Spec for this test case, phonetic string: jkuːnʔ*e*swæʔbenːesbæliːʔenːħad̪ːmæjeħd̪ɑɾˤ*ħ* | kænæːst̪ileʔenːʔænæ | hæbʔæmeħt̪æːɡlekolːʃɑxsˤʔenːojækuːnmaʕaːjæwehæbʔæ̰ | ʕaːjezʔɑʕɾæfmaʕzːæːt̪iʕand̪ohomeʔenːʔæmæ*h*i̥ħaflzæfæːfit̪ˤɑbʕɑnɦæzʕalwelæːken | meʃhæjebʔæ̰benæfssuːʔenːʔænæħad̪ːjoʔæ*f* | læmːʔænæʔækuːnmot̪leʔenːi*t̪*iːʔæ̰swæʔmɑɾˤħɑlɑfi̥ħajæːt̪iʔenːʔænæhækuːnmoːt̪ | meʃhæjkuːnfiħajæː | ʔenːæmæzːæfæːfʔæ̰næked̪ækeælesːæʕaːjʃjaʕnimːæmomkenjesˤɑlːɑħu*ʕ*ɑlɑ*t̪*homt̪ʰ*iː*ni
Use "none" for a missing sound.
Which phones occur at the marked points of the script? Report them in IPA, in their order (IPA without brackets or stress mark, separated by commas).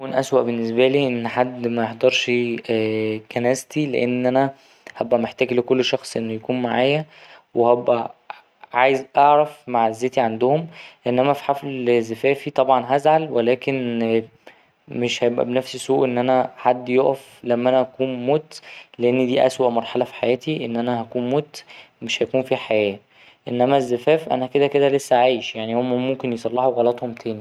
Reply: æ, ʃ, f, f, d̪, ɣ, t̪, æː